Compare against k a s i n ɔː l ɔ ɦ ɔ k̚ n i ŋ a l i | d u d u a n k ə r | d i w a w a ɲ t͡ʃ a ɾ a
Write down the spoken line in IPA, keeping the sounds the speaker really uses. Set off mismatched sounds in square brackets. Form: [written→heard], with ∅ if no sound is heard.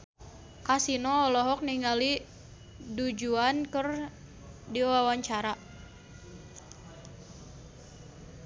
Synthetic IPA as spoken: k a s i n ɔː l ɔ ɦ ɔ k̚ n i ŋ a l i | d u [d→d͡ʒ] u a n k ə r | d i w a w a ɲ t͡ʃ a ɾ a